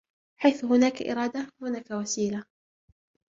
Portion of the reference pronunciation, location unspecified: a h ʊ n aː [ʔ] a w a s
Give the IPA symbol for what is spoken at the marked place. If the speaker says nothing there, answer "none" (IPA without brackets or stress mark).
k